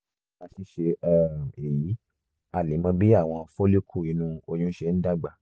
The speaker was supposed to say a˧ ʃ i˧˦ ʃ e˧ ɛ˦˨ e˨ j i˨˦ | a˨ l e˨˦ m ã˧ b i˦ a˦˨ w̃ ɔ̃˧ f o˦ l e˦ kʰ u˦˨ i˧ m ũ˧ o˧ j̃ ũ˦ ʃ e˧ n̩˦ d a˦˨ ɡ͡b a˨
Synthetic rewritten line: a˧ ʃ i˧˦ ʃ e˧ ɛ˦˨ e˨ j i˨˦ | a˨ l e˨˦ m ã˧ b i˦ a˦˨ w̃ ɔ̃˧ f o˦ l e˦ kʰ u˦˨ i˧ n ũ˧ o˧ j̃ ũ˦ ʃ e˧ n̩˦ d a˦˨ ɡ͡b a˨